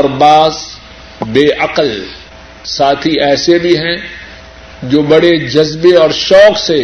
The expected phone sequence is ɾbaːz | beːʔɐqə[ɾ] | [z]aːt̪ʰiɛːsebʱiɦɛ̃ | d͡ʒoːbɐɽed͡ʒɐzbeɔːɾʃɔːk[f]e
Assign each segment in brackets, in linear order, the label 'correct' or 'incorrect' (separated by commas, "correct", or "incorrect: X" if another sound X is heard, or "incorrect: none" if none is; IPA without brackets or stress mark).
incorrect: l, incorrect: s, incorrect: s